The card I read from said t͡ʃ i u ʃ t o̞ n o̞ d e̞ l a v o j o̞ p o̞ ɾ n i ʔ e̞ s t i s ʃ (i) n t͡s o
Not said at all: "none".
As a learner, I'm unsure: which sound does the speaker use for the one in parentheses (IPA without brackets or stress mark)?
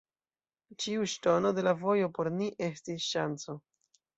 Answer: a